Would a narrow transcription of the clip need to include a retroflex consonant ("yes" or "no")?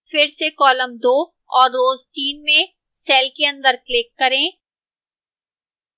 no